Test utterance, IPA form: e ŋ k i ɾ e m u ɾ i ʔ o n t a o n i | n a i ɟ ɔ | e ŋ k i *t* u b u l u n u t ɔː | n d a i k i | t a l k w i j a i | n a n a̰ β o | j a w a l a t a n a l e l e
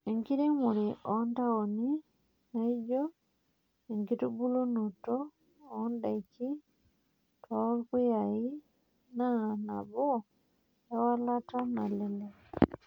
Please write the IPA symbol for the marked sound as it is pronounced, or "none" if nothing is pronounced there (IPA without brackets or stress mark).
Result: t